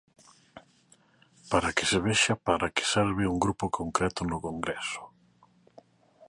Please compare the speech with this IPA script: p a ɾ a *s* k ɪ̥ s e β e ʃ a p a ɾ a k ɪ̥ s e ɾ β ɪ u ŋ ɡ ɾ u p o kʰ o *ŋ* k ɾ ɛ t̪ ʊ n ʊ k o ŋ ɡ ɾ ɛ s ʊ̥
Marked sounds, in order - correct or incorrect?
incorrect: none, correct

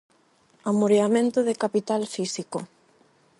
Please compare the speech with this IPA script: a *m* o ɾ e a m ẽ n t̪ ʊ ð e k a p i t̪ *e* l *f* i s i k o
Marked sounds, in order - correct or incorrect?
correct, incorrect: a, correct

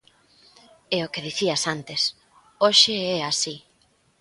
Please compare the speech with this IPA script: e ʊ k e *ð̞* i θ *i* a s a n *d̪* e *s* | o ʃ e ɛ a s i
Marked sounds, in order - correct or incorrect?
correct, correct, incorrect: t̪, correct

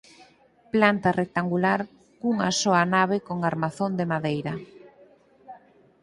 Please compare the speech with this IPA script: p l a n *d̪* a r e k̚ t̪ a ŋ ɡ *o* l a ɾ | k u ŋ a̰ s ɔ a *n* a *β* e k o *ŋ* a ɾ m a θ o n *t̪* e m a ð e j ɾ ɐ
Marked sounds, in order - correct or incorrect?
incorrect: t̪, incorrect: u, correct, correct, correct, incorrect: d̪

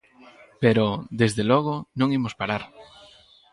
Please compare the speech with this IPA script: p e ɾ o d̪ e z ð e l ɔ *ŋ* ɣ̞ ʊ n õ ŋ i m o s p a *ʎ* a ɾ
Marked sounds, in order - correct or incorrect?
incorrect: none, incorrect: ɾ

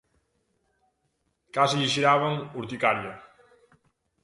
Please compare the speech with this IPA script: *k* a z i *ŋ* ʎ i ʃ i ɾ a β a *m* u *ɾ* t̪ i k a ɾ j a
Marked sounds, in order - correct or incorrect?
correct, incorrect: none, incorrect: ŋ, correct

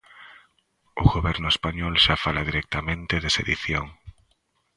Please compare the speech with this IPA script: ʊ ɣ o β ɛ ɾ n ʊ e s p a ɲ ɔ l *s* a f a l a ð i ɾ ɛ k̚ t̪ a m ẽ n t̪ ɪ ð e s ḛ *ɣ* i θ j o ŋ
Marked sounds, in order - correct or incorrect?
incorrect: ʃ, incorrect: ð

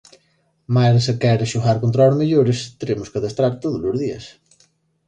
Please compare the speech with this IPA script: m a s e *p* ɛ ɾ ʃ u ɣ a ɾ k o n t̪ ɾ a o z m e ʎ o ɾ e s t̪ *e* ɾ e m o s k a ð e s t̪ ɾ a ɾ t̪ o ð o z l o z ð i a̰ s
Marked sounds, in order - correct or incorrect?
incorrect: k, correct

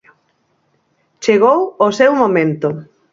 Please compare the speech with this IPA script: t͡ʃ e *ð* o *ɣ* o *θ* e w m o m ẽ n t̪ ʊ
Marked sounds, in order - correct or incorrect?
incorrect: ɣ, incorrect: w, incorrect: s

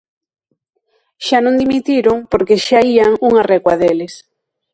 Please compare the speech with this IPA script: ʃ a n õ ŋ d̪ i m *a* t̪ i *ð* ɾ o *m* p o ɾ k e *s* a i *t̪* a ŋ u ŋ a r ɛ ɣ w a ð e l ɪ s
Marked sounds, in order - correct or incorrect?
incorrect: i, incorrect: none, incorrect: ŋ, incorrect: ʃ, incorrect: none

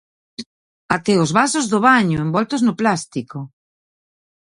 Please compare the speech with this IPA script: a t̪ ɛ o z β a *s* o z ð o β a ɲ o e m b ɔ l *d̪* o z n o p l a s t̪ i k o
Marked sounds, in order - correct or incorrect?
correct, incorrect: t̪

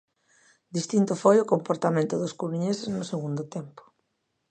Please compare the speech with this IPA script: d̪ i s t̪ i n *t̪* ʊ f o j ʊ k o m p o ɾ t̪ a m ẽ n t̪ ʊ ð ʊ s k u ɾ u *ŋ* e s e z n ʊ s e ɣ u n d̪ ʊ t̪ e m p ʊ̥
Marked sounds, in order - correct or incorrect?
correct, incorrect: ɲ

